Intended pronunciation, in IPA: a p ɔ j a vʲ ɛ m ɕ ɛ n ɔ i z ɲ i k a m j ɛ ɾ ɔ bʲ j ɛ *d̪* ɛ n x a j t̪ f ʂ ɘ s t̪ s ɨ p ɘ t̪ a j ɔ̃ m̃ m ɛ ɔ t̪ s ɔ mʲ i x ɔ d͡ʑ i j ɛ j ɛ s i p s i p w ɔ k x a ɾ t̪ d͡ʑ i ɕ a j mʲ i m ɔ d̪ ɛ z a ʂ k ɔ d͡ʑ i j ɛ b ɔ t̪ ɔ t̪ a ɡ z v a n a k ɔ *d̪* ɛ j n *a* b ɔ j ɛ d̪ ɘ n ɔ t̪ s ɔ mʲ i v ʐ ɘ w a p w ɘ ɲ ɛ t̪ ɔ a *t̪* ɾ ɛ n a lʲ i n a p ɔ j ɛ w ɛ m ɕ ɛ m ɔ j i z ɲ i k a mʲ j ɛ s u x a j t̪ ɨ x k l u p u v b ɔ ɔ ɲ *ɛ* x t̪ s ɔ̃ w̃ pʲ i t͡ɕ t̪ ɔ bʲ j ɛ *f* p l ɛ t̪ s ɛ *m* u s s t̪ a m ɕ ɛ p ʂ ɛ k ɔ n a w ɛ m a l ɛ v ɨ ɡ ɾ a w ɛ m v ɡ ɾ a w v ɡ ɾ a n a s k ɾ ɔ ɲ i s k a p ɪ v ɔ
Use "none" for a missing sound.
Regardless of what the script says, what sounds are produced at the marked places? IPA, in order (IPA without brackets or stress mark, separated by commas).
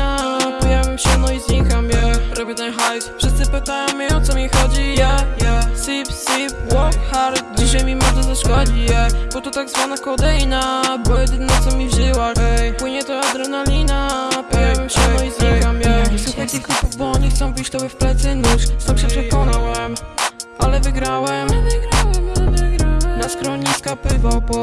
t̪, d̪, a, d̪, i, f, n